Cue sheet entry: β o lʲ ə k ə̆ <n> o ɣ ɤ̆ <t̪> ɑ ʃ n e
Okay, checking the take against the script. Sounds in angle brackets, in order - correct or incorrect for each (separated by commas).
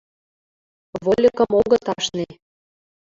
incorrect, correct